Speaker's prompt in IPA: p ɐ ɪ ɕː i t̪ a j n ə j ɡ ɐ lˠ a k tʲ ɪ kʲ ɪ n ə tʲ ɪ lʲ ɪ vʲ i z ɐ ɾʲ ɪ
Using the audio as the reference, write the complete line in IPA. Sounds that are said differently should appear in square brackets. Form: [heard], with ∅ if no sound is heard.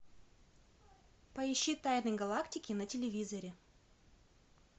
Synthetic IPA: p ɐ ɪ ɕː i t̪ a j n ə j ɡ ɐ lˠ a k tʲ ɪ kʲ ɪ n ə tʲ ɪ lʲ ɪ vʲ i z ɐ ɾʲ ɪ

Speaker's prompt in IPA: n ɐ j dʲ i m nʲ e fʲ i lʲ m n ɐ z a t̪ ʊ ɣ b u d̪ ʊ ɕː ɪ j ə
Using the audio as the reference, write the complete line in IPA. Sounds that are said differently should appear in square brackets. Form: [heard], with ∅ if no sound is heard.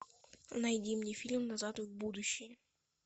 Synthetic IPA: n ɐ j dʲ i m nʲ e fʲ i lʲ m n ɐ z a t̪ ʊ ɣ b u d̪ ʊ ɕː ɪ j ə

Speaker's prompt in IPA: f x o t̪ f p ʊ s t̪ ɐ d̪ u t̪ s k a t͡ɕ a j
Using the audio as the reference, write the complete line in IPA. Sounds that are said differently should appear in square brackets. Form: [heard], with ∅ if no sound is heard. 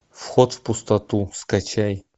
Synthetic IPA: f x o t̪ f p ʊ s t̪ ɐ [t̪] u [∅] s k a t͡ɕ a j

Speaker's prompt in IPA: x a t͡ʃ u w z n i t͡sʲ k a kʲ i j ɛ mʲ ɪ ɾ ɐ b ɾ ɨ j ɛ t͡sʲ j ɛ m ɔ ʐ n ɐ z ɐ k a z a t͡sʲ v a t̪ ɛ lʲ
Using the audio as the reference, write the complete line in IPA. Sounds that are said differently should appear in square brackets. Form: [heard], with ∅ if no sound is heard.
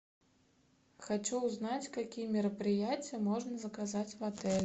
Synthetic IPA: x a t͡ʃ u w z n [a] t͡sʲ k a kʲ i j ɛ mʲ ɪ ɾ ɐ [p] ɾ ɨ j [a] t͡sʲ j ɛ m ɔ ʐ n ɐ z ɐ k a z a t͡sʲ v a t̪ ɛ lʲ

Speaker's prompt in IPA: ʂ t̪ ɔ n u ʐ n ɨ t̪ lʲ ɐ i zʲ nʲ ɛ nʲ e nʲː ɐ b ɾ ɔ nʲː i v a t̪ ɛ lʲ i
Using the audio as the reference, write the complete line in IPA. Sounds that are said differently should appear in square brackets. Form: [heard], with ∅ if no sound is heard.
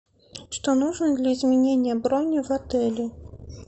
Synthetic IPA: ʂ t̪ ɔ n u ʐ n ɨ [d̪] lʲ ɐ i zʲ [mʲ] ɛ nʲ e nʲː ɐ b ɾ ɔ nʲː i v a t̪ ɛ lʲ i

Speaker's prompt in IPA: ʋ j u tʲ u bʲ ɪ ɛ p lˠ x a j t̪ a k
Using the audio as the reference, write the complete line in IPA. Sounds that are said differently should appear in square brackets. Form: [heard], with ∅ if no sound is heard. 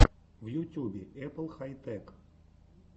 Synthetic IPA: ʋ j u tʲ u bʲ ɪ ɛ p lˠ x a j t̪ [ɛ] k

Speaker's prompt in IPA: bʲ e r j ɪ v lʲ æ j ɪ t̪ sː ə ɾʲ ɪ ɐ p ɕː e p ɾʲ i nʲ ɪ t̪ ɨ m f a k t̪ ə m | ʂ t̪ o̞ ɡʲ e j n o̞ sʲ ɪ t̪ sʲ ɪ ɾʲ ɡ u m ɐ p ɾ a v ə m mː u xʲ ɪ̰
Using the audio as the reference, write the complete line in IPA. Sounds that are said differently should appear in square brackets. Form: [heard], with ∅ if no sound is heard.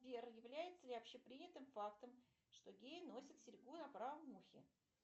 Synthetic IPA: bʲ e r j ɪ v lʲ æ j ɪ t̪ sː ə [lʲ] ɪ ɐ p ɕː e p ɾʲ i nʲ ɪ t̪ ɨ m f a k t̪ ə m | ʂ t̪ o̞ ɡʲ e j n o̞ sʲ ɪ t̪ sʲ ɪ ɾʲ ɡ u [n] ɐ p ɾ a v ə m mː u xʲ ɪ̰

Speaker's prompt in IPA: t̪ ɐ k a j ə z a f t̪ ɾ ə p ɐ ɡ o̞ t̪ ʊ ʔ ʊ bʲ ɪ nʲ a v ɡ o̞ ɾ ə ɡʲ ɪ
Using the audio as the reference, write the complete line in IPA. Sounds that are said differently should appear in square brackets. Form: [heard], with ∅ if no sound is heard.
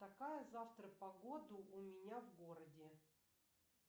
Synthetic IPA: t̪ ɐ k a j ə z a f t̪ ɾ ə p ɐ ɡ o̞ [d̪] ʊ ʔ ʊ [mʲ] ɪ nʲ a v ɡ o̞ ɾ ə [dʲ] ɪ

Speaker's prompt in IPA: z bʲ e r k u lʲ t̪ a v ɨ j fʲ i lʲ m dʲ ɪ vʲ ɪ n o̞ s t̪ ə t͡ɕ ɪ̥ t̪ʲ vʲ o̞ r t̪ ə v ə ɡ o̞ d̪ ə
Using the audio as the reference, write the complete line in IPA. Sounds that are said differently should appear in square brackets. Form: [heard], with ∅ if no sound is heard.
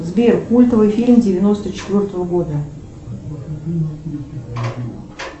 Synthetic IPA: z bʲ e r k u lʲ t̪ [ə] v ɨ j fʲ i lʲ m dʲ ɪ vʲ ɪ n o̞ s t̪ ə t͡ɕ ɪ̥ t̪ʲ vʲ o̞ r t̪ ə v ə ɡ o̞ d̪ ə

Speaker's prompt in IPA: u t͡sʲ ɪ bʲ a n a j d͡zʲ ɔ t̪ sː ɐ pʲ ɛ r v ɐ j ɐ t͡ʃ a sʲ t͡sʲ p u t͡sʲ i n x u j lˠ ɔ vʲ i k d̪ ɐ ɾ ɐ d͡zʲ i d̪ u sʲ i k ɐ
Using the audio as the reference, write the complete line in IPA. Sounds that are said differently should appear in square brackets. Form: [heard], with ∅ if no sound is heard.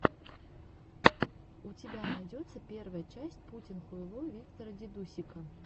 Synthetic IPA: u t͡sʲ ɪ bʲ a n a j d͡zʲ ɔ t̪ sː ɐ pʲ ɛ r v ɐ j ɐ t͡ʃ a sʲ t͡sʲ p u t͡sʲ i n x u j lˠ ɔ vʲ i k [t̪] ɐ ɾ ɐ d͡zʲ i d̪ u sʲ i k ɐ

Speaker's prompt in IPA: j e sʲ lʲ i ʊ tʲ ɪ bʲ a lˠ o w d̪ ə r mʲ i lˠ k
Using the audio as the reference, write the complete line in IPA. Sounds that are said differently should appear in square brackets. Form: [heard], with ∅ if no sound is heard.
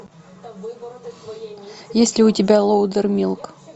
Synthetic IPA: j e sʲ lʲ [ɪ] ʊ tʲ ɪ bʲ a lˠ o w d̪ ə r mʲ i lˠ k

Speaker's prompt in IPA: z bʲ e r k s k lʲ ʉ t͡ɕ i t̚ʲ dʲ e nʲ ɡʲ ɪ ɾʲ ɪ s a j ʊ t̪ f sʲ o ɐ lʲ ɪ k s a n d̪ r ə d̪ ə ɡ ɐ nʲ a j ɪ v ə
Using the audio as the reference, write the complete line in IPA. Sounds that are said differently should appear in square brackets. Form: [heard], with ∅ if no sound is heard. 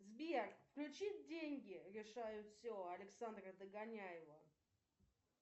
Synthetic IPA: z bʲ e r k [f] k lʲ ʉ t͡ɕ i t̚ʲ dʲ e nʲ ɡʲ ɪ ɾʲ ɪ [ʂ] a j ʊ t̪ f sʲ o ɐ lʲ ɪ k s a n d̪ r ə d̪ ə ɡ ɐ nʲ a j ɪ v ə

